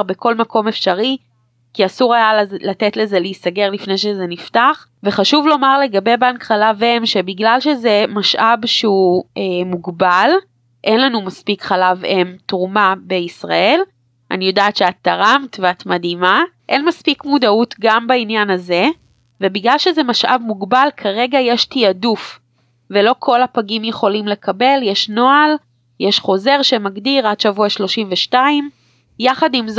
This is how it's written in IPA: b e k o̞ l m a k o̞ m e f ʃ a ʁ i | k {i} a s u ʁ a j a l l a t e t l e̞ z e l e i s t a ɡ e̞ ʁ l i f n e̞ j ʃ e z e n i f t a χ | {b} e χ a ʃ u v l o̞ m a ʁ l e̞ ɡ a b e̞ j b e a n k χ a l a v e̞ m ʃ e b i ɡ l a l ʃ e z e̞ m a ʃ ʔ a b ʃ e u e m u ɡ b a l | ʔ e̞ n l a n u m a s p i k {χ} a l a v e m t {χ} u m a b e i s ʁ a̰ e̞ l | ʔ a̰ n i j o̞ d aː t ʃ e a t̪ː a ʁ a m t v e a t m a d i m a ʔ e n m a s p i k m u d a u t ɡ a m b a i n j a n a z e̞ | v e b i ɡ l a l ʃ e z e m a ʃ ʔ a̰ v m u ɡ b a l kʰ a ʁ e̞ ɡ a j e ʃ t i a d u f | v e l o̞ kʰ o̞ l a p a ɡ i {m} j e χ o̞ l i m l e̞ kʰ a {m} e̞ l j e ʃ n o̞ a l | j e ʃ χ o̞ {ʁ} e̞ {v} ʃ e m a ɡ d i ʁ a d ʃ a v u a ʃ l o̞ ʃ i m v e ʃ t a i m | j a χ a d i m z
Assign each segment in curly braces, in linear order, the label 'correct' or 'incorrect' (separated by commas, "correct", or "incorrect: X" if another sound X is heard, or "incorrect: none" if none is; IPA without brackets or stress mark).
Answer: correct, incorrect: v, correct, incorrect: ʁ, correct, incorrect: b, incorrect: z, incorrect: ʁ